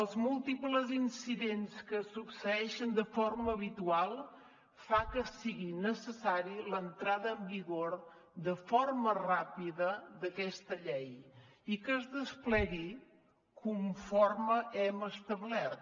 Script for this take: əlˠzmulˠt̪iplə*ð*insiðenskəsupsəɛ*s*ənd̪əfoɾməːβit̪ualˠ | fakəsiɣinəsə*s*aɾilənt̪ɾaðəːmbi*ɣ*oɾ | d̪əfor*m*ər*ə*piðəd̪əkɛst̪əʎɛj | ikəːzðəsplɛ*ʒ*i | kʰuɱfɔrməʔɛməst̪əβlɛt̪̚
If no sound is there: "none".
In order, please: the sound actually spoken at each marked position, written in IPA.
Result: z, ʃ, s, ɣ, m, a, ɣ

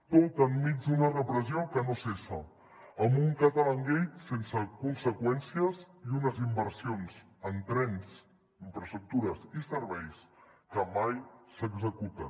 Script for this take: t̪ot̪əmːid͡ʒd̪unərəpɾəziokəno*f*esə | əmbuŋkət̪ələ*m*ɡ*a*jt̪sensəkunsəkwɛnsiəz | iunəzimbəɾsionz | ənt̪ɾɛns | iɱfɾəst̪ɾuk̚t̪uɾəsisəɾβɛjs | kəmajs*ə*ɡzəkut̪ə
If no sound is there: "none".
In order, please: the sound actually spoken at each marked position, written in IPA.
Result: s, ŋ, e, ə

